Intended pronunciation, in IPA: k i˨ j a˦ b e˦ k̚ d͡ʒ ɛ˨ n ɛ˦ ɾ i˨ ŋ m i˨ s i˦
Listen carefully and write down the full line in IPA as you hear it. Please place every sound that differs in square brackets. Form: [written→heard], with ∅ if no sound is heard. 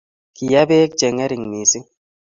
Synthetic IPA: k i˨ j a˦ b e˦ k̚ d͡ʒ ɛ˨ [n→ŋ] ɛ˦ ɾ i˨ ŋ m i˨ s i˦